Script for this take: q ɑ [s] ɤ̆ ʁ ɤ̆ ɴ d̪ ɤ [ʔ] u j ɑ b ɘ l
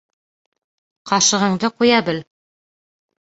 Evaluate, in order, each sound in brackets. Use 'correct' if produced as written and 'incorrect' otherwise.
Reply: incorrect: ʃ, incorrect: q

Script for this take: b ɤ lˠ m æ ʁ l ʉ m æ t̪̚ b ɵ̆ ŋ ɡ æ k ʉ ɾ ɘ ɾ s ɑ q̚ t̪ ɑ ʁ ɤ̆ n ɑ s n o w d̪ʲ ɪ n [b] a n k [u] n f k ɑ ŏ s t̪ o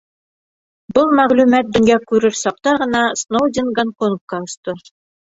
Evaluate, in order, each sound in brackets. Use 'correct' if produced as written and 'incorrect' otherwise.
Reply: incorrect: ɡ, incorrect: o

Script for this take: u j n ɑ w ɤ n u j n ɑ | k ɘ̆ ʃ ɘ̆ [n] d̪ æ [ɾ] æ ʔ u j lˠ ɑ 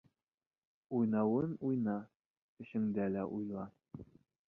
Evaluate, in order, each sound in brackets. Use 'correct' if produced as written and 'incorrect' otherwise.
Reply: incorrect: ŋ, incorrect: l

